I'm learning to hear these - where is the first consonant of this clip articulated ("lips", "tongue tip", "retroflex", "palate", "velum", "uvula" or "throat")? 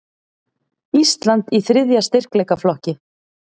tongue tip